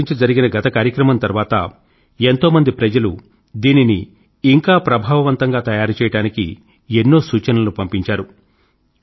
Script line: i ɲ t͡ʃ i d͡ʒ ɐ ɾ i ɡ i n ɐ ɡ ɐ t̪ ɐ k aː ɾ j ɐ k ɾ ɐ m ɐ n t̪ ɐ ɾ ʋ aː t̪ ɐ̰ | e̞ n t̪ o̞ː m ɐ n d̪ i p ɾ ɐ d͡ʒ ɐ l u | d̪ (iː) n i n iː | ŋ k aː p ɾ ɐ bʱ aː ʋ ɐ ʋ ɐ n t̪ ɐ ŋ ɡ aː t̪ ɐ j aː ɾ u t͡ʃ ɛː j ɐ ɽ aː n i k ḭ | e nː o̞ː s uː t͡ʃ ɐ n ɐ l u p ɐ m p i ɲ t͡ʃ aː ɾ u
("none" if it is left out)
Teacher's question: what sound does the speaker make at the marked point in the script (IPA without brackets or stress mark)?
iː